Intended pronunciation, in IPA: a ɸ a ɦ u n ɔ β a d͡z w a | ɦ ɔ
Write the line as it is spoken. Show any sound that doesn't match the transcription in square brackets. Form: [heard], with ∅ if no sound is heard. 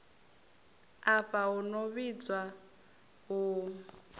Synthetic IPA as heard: a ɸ a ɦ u n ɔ β [i] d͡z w a | ɦ [u]